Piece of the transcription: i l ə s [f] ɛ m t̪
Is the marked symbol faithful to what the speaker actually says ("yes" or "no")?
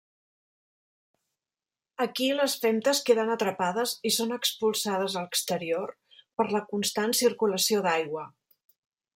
yes